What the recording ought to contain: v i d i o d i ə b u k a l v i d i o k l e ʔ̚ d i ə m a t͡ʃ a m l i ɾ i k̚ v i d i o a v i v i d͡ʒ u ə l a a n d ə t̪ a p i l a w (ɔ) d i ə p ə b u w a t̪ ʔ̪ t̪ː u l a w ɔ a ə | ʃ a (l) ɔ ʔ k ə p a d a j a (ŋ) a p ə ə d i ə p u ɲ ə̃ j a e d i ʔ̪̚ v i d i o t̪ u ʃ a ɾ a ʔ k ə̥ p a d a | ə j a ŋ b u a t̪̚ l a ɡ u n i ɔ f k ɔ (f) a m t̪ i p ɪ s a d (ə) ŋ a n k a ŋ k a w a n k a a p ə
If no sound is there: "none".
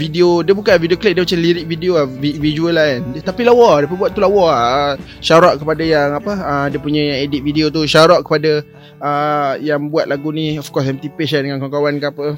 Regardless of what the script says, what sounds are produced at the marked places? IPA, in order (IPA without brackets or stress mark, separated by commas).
ɔ, ɾ, ŋ, s, ə